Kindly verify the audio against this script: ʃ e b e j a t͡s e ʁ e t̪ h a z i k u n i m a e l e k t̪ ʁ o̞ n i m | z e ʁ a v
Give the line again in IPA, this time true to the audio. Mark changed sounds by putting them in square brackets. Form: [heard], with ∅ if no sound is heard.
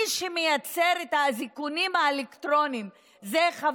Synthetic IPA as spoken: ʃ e [m] e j a t͡s e ʁ e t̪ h a z i k u n i m a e l e k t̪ ʁ o̞ n i m | z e [χ] a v